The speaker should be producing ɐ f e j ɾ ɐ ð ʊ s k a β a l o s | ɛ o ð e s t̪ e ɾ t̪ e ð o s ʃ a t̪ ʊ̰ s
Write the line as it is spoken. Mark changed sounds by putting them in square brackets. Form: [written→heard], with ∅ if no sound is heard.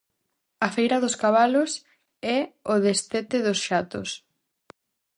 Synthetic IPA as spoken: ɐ f e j ɾ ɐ ð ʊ s k a β a l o s | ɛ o ð e s t̪ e [ɾ→∅] t̪ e ð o s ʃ a t̪ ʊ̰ s